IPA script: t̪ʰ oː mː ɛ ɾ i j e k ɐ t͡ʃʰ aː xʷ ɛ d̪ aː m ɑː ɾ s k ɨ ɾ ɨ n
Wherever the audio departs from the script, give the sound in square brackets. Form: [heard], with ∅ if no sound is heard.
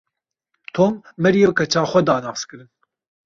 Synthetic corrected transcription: t̪ʰ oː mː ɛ ɾ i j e k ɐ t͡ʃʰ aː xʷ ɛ d̪ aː [n] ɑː [∅] s k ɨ ɾ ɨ n